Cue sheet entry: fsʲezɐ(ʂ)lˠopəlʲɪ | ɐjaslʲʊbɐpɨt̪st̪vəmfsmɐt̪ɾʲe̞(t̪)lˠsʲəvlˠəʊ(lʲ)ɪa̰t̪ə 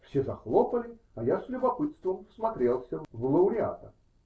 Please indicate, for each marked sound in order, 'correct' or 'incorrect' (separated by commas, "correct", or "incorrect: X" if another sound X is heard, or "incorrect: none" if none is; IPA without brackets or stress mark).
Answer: incorrect: x, incorrect: none, incorrect: ɾʲ